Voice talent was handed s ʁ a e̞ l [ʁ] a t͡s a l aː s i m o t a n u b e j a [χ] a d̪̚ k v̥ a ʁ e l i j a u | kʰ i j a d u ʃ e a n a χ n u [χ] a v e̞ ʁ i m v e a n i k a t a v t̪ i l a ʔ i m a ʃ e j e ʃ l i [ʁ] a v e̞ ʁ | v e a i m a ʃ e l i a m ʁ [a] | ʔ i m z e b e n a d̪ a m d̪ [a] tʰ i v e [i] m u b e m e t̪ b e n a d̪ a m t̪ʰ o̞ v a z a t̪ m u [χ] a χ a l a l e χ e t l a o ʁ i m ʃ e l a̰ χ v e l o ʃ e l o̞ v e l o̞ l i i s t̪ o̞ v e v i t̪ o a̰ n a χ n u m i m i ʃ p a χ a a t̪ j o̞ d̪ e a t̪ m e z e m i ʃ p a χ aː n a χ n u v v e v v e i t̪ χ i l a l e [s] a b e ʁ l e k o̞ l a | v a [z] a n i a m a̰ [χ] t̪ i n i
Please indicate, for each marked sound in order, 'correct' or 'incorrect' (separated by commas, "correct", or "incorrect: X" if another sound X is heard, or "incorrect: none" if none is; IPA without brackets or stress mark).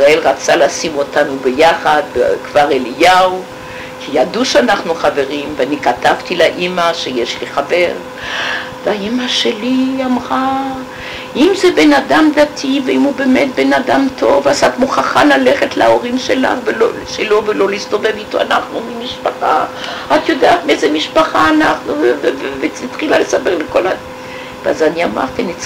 correct, correct, correct, incorrect: χ, correct, correct, correct, correct, correct, correct, incorrect: ʁ